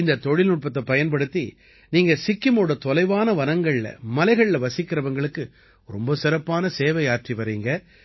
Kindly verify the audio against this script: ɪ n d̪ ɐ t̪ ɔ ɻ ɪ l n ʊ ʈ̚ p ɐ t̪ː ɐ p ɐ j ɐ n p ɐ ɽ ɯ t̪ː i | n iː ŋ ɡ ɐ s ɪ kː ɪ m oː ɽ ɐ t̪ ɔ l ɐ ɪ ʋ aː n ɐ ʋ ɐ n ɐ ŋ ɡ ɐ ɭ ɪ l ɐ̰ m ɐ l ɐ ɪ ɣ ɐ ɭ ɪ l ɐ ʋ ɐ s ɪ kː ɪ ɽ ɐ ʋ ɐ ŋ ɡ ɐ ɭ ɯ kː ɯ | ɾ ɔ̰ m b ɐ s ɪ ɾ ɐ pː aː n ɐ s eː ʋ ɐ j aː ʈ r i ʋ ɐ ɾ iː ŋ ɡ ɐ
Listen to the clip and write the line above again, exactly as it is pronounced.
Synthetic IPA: ɪ n d̪ ɐ t̪ ɔ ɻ ɪ l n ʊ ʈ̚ p ɐ t̪ː ɐ p ɐ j ɐ n p ɐ ɽ ɯ t̪ː i | n iː ŋ ɡ ɐ s ɪ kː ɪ m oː ɽ ɐ t̪ ɔ l ɐ ɪ ʋ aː n ɐ ʋ ɐ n ɐ ŋ ɡ ɐ ɭ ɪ l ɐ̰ m ɐ l ɐ ɪ ɣ ɐ ɭ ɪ l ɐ ʋ ɐ s ɪ kː ɪ ɾ ɐ ʋ ɐ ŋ ɡ ɐ ɭ ɯ kː ɯ | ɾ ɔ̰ m b ɐ s ɪ ɾ ɐ pː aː n ɐ s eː ʋ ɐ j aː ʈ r i ʋ ɐ ɾ iː ŋ ɡ ɐ

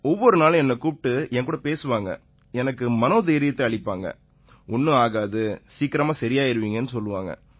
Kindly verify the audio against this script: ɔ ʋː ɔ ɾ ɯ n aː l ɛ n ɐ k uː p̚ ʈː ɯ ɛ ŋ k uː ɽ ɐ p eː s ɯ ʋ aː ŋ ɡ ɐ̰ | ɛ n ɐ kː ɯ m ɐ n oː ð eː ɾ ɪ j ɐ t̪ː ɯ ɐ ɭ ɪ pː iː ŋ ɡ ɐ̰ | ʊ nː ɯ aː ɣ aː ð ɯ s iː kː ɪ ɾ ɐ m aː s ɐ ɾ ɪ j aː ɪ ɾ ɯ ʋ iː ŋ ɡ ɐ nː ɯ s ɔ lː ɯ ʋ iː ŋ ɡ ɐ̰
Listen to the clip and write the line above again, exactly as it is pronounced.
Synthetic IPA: ɔ ʋː ɔ ɾ ɯ n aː l ɛ nː ɐ k uː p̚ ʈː ɯ ɛ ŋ k uː ɽ ɐ p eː s ɯ ʋ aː ŋ ɡ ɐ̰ | ɛ n ɐ kː ɯ m ɐ n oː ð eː ɾ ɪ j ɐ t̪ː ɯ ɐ ɭ ɪ pː aː ŋ ɡ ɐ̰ | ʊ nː ɯ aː ɣ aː ð ɯ s iː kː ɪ ɾ ɐ m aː s ɐ ɾ ɪ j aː ɪ ɾ ɯ ʋ iː ŋ ɡ ɐ nː ɯ s ɔ lː ɯ ʋ aː ŋ ɡ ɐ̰

